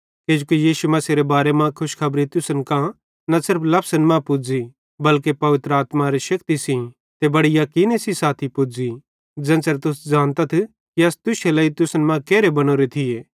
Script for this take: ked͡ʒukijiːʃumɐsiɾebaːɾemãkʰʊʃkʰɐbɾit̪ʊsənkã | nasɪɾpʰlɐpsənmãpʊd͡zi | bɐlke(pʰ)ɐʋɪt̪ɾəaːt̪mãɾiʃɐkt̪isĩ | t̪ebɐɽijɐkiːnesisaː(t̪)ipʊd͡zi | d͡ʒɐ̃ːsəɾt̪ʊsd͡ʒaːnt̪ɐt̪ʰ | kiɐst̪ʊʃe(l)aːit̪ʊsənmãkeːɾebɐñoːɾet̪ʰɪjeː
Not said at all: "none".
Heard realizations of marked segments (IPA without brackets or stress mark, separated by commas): p, t̪ʰ, l